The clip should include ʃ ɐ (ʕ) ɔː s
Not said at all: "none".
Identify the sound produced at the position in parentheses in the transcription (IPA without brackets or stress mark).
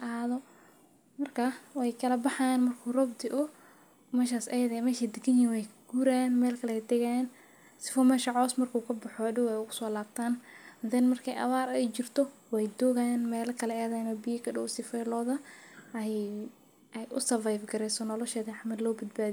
ʕ